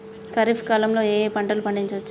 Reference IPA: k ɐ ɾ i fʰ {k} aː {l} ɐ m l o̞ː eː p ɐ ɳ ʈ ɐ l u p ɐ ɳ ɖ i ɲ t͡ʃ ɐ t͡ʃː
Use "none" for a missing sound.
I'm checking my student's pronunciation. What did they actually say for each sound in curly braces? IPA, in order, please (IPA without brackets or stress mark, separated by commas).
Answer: k, l